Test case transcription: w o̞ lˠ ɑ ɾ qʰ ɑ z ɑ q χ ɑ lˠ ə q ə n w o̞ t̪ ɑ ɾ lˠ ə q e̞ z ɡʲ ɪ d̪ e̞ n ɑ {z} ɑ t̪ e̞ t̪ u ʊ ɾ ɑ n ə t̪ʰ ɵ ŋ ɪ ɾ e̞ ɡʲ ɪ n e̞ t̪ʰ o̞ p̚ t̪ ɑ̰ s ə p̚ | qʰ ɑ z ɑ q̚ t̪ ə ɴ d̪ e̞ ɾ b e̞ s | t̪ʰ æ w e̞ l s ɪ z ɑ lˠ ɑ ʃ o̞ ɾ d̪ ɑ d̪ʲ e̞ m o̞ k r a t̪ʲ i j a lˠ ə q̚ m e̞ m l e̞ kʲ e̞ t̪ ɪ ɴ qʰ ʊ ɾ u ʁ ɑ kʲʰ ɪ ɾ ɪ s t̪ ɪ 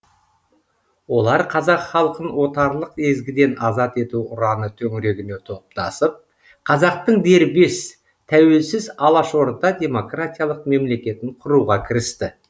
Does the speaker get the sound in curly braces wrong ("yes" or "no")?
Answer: no